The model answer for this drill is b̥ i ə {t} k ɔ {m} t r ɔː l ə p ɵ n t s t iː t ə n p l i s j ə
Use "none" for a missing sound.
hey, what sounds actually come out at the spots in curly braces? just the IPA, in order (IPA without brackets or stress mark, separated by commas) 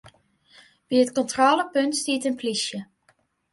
t, n